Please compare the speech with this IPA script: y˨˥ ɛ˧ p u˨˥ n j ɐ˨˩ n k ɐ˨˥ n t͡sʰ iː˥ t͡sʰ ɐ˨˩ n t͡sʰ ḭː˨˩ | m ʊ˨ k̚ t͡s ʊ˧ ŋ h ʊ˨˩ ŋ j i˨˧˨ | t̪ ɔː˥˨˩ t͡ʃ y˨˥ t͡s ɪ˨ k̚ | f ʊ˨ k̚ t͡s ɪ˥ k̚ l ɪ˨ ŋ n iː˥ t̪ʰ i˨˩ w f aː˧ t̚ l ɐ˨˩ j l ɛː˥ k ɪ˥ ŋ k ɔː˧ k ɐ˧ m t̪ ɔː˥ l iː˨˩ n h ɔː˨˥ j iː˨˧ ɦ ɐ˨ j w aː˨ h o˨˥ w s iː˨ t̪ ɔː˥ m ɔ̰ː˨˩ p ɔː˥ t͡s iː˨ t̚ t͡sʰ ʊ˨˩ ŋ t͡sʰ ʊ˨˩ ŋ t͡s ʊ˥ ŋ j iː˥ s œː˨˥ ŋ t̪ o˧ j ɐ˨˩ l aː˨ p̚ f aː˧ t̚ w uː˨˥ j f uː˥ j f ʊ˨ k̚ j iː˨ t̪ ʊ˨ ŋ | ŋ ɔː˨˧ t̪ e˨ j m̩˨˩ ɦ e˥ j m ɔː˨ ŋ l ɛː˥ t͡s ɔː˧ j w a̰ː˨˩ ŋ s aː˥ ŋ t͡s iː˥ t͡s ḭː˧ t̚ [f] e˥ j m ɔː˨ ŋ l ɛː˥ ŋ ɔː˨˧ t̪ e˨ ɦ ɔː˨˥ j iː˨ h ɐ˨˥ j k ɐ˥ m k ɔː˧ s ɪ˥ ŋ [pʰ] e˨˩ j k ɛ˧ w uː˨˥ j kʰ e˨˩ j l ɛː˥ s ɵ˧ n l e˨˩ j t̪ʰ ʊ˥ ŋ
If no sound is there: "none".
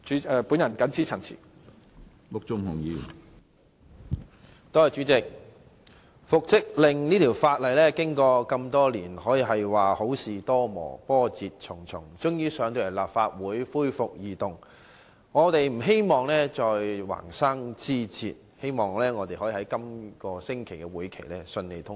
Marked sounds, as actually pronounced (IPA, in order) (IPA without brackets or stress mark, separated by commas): h, kʰ